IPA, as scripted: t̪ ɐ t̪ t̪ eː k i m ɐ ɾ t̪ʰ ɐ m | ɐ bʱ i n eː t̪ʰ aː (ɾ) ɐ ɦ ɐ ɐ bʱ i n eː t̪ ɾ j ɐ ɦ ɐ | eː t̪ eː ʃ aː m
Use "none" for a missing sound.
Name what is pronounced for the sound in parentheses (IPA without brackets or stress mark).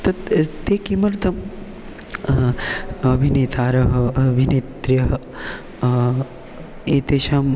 ɾ